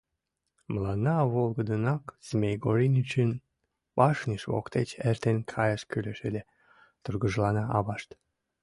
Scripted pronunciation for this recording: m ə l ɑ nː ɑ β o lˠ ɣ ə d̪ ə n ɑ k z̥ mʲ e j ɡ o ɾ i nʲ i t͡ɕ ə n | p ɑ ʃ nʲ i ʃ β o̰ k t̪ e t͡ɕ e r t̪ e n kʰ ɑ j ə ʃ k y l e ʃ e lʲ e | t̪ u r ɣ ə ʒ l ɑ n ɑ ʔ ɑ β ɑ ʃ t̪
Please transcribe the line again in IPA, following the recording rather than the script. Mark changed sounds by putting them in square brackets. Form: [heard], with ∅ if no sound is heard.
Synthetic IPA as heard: m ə l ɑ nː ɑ β o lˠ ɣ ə d̪ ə n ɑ k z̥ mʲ e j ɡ o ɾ i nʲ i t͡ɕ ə n | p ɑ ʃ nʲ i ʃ β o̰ k t̪ e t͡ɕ e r t̪ e n kʰ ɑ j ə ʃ k y l e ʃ e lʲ e | t̪ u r ɣ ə ʒ l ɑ n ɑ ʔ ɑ β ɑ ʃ t̪

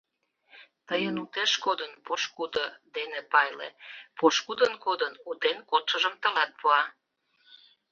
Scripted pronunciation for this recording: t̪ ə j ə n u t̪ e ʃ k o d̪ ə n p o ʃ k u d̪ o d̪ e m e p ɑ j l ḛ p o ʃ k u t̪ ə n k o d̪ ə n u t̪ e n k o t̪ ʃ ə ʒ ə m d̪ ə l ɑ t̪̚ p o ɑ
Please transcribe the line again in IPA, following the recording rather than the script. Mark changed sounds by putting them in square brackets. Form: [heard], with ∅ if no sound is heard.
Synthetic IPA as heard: t̪ ə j ə n u t̪ e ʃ k o d̪ ə n p o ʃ k u d̪ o d̪ e [n] e p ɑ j l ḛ p o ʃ k u [d̪] ə n k o d̪ ə n u t̪ e n k o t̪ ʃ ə ʒ ə m [t̪] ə l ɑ t̪̚ p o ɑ

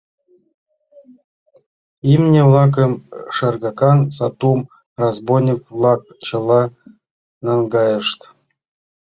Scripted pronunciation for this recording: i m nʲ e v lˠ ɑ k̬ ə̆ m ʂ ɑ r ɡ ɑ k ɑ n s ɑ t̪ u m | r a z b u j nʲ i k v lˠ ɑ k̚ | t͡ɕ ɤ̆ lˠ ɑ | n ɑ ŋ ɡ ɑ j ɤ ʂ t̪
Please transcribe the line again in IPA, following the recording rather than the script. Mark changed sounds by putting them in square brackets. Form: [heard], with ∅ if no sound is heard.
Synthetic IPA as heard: i m nʲ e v lˠ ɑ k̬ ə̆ m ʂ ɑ r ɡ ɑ k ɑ n s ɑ t̪ u m | r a z b [o] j nʲ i k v lˠ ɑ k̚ | t͡ɕ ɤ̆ lˠ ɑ | n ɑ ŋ ɡ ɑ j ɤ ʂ t̪

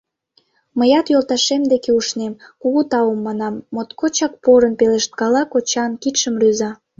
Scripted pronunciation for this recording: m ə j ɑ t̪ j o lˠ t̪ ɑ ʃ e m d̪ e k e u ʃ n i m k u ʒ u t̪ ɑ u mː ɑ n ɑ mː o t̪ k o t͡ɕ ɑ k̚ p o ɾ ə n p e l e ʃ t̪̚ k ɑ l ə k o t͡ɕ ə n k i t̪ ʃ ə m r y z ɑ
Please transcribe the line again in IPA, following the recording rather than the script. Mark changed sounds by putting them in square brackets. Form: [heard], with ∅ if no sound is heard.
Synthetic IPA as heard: m ə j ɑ t̪ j o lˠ t̪ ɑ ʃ e m d̪ e k e u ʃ n [e] m k u [ɣ] u t̪ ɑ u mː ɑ n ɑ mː o t̪ k o t͡ɕ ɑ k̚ p o ɾ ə n p e l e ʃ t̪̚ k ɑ l [ɑ] k o t͡ɕ [ɑ] n k i t̪ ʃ ə m r y z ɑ

